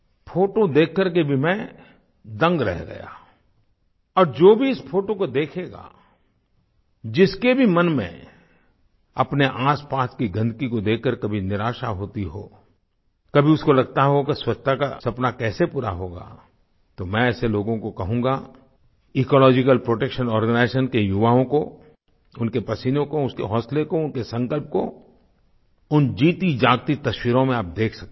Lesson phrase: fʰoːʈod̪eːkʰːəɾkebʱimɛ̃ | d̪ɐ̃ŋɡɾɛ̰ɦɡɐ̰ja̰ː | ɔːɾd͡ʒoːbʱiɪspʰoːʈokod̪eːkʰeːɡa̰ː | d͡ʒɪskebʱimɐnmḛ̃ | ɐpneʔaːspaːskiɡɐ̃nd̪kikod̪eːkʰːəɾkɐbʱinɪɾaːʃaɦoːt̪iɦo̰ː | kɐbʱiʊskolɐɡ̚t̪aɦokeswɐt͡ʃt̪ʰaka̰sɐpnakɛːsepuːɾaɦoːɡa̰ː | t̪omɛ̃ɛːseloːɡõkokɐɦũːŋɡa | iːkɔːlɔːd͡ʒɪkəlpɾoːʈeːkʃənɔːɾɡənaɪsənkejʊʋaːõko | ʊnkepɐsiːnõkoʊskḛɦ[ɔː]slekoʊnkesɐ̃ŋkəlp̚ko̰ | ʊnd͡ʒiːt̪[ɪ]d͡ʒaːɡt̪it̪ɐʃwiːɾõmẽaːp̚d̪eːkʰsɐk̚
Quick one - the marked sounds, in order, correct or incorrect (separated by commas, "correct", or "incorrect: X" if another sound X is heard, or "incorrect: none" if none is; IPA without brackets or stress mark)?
correct, incorrect: i